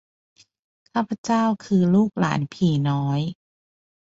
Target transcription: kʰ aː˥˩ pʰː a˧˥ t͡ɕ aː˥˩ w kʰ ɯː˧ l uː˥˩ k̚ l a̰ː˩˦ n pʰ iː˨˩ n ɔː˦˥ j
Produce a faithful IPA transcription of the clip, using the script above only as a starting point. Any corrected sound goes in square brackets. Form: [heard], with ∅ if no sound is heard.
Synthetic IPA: kʰ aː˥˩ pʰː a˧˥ t͡ɕ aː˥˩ w kʰ ɯː˧ l uː˥˩ k̚ l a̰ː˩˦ n pʰ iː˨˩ n ɔː˦˥ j